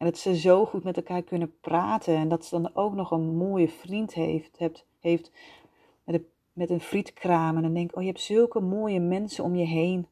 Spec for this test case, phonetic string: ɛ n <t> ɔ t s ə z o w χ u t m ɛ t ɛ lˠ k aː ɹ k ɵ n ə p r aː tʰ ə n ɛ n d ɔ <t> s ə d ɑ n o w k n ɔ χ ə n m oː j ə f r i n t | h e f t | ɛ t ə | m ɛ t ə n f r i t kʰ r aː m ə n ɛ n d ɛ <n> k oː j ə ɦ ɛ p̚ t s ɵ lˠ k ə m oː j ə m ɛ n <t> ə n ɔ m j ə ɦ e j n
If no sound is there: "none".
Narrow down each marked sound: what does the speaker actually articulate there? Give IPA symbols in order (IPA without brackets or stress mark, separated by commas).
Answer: d, t, ŋ, s